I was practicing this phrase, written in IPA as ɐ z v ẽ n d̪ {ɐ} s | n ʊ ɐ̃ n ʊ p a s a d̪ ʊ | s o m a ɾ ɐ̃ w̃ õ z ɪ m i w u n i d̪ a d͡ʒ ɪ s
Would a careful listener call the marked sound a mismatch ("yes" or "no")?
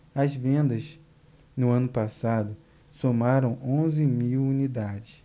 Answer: no